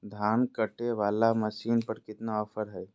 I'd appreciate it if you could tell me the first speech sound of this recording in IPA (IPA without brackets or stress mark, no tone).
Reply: d̪ʱ